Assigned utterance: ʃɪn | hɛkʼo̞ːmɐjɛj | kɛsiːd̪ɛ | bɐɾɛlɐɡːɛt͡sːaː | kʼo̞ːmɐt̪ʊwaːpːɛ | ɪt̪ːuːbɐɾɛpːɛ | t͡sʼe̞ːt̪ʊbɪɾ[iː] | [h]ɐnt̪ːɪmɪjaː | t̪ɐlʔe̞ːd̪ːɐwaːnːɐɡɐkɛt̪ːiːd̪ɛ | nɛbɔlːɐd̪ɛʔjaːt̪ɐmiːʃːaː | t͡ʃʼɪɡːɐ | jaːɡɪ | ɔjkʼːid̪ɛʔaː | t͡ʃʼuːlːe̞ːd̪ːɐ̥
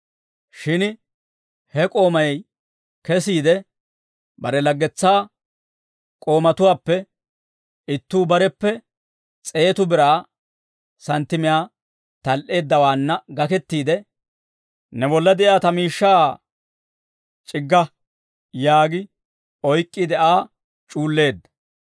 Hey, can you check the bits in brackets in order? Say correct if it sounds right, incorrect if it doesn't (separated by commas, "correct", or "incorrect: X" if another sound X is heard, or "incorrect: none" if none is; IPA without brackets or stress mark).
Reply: incorrect: aː, incorrect: s